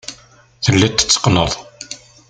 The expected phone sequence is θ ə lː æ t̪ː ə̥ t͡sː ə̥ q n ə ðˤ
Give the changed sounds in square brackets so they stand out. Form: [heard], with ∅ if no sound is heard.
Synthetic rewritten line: θ ə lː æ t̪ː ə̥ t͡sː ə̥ q n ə ðˤ